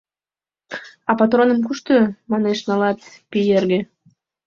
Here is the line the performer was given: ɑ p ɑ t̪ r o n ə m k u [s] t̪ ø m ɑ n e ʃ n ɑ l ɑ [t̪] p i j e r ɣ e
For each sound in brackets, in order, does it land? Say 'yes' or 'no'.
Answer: no, yes

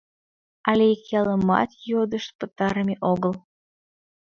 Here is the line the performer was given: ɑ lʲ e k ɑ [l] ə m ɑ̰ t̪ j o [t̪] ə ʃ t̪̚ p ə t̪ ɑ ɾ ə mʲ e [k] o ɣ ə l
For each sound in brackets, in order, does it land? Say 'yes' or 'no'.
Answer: yes, no, no

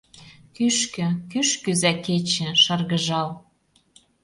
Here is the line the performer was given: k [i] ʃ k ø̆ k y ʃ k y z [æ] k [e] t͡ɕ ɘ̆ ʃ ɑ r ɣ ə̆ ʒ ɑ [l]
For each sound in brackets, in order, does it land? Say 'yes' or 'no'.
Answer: no, yes, yes, yes

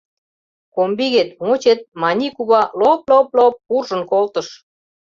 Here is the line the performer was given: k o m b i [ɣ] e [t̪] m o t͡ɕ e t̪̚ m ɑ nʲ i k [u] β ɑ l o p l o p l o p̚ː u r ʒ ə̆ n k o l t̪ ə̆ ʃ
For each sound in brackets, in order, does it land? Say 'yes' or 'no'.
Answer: yes, yes, yes

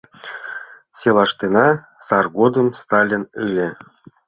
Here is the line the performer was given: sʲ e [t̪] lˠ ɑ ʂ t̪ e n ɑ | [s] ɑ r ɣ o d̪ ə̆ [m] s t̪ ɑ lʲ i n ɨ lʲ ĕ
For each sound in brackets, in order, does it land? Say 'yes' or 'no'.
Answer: no, yes, yes

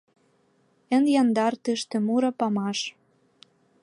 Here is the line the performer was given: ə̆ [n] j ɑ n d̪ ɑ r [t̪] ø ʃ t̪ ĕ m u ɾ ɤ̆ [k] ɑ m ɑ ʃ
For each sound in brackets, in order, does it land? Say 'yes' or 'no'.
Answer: yes, yes, no

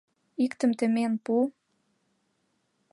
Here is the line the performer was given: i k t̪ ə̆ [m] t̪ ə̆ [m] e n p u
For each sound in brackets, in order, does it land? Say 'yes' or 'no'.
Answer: yes, yes

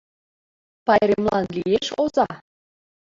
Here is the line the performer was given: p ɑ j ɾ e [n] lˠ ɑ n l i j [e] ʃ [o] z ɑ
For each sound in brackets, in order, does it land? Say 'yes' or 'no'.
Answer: no, yes, yes

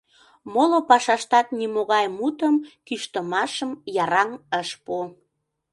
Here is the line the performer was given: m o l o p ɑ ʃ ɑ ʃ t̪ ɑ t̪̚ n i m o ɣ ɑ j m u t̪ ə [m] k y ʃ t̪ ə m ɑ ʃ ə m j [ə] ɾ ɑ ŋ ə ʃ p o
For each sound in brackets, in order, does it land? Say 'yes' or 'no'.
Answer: yes, no

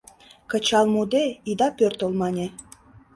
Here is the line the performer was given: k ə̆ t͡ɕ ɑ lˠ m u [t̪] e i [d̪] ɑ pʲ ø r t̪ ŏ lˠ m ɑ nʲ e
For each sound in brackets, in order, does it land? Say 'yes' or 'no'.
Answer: no, yes

